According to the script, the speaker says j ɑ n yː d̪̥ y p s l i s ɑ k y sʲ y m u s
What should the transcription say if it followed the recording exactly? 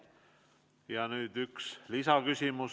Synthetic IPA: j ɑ n yː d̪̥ y k s l i s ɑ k y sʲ i m u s